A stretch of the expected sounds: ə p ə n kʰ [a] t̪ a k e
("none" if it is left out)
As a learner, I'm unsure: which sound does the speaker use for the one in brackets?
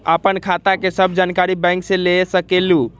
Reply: a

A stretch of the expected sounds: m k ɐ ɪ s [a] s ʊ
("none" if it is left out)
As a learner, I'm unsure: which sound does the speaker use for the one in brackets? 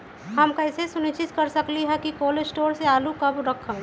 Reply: e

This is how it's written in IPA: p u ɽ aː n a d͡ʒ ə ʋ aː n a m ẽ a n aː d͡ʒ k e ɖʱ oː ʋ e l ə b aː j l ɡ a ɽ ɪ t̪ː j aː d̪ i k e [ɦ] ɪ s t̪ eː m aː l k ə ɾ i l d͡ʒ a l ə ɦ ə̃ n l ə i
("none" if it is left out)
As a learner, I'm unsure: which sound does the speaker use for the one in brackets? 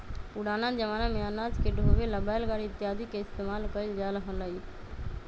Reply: none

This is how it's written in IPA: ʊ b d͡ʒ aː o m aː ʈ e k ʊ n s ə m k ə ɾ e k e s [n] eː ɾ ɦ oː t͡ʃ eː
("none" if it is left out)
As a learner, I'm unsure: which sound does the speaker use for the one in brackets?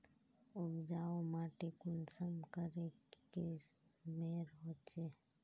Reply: m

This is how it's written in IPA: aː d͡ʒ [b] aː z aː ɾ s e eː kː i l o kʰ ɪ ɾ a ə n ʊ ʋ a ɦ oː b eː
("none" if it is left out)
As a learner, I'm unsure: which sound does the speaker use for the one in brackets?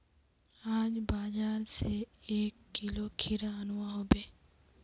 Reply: b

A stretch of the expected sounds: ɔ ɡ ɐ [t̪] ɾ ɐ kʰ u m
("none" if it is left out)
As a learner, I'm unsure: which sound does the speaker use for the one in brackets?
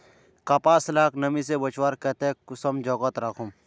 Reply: t̪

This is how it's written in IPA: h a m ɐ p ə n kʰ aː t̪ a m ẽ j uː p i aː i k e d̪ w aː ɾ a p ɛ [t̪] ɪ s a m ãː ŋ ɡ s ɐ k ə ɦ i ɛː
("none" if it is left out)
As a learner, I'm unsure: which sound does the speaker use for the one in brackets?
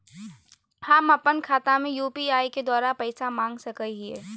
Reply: none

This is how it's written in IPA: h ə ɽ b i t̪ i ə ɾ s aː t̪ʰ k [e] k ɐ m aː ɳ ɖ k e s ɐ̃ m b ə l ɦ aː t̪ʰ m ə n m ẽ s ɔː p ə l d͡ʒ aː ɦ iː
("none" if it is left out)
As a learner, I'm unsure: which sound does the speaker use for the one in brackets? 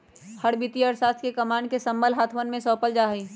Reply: e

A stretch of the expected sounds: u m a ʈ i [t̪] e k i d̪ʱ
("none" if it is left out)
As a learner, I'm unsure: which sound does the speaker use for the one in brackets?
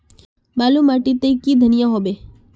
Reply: t̪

